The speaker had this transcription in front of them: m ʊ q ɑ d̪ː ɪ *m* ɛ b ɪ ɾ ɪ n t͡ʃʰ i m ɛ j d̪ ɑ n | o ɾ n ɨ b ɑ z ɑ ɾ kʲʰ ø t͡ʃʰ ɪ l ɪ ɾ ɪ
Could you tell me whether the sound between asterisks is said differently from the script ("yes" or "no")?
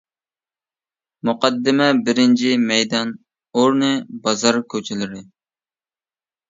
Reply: no